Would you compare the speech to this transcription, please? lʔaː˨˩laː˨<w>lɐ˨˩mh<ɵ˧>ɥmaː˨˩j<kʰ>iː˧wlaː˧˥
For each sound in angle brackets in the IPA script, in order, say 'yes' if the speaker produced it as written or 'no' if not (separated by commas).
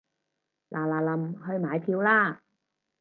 no, yes, no